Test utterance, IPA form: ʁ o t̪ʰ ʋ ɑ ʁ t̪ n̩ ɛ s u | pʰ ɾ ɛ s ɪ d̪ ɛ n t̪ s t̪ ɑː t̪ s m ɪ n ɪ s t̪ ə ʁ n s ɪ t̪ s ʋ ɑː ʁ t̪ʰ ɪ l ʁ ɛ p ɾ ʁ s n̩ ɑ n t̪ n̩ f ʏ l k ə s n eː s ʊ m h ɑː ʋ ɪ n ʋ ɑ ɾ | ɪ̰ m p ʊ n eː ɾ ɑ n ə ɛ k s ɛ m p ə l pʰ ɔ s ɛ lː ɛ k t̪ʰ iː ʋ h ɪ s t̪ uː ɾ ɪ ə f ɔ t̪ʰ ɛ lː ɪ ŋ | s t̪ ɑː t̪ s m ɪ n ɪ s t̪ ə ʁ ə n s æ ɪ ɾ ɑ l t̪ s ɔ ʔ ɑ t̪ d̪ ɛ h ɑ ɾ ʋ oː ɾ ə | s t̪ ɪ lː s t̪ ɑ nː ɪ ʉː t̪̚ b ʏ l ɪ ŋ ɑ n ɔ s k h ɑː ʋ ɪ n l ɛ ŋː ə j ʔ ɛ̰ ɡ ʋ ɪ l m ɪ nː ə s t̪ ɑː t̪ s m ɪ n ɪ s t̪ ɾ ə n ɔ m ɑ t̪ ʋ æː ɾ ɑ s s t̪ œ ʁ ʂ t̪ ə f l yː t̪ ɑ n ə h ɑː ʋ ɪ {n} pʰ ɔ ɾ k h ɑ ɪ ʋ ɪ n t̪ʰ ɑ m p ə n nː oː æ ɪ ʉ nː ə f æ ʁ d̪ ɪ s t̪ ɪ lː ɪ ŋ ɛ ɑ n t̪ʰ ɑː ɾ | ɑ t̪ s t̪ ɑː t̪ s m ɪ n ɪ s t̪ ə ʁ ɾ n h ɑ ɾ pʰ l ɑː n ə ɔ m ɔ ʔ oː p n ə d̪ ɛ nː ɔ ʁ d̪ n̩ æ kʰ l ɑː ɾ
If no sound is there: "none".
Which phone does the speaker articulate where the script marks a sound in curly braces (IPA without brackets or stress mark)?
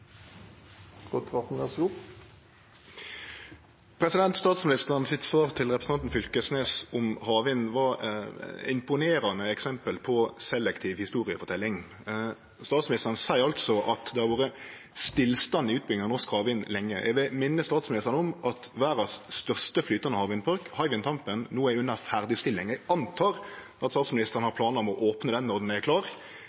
n